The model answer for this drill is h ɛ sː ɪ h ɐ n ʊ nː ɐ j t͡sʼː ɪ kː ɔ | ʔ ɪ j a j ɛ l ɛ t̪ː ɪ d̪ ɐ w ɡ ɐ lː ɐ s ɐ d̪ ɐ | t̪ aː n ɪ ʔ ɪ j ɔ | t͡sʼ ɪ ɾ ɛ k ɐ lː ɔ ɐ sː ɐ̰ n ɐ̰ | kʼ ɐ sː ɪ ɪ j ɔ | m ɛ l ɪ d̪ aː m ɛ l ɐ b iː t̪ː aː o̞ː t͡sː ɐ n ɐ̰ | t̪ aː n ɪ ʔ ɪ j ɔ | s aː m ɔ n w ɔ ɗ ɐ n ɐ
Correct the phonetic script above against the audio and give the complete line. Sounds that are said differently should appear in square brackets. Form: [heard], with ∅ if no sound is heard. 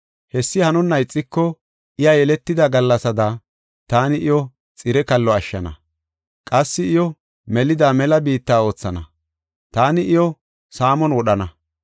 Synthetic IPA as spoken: h ɛ sː ɪ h ɐ n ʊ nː ɐ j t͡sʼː ɪ kː ɔ | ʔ ɪ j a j ɛ l ɛ t̪ː ɪ d̪ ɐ [∅] ɡ ɐ lː ɐ s ɐ d̪ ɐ | t̪ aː n ɪ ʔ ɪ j ɔ | t͡sʼ ɪ ɾ ɛ k ɐ lː ɔ ɐ [ʃː] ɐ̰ n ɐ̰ | kʼ ɐ sː ɪ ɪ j ɔ | m ɛ l ɪ d̪ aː m ɛ l ɐ b iː t̪ː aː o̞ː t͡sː ɐ n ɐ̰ | t̪ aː n ɪ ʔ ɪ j ɔ | s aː m ɔ n w ɔ ɗ ɐ n ɐ